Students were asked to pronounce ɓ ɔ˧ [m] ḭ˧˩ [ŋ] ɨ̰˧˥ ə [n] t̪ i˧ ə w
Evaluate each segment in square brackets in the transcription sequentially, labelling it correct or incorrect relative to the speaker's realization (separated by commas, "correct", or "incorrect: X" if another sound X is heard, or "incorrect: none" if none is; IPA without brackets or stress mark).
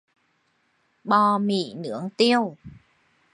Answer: correct, incorrect: n, incorrect: ŋ